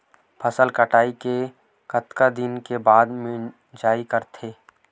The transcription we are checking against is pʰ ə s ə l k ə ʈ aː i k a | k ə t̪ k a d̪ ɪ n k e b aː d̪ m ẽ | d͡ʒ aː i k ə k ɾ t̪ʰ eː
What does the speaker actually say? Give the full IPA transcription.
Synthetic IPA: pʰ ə s ə l k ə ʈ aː i k e | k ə t̪ k a d̪ ɪ n k e b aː d̪ m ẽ | d͡ʒ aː i k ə ɾ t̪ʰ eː